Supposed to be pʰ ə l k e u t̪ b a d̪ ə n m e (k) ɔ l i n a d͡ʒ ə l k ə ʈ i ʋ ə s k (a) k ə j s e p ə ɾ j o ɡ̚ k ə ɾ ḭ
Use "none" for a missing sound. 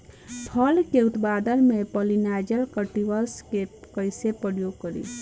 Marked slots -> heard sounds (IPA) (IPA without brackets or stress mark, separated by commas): p, e